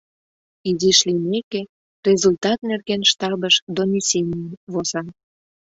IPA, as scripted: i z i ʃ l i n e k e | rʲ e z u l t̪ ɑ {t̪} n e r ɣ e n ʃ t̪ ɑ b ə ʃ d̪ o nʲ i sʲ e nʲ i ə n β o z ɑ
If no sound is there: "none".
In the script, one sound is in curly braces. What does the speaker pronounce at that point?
t̪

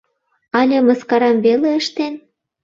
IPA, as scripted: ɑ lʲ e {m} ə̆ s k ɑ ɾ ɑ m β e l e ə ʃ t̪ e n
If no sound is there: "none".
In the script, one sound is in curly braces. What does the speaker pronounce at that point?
m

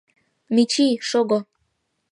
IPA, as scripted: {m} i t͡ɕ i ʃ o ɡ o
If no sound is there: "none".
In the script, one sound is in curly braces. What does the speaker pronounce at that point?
m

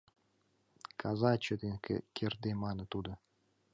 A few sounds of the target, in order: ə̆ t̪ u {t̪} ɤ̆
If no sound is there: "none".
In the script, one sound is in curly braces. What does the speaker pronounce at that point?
d̪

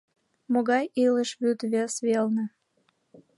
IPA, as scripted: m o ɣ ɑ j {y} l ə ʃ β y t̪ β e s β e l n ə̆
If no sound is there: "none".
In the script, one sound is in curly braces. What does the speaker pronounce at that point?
i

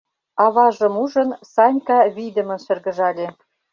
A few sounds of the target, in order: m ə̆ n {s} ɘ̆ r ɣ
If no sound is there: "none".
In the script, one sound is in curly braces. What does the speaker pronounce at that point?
ʃ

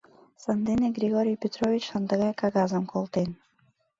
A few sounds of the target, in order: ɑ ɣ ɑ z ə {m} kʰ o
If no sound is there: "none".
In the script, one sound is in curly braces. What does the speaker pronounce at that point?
m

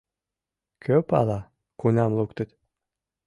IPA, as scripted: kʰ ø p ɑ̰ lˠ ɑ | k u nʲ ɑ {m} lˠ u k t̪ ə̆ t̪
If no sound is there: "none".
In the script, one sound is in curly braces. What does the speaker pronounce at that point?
m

